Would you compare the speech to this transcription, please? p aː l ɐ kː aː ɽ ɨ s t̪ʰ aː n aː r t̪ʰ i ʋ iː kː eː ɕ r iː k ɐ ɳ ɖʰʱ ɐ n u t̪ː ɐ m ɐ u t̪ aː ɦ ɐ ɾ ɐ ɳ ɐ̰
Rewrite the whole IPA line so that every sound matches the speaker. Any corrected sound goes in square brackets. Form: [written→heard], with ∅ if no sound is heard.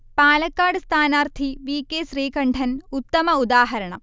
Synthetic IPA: p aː l ɐ kː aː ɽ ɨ s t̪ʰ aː n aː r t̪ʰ i ʋ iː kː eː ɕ r iː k ɐ ɳ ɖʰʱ ɐ n u t̪ː ɐ m ɐ u [t̪→d̪] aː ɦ ɐ ɾ ɐ ɳ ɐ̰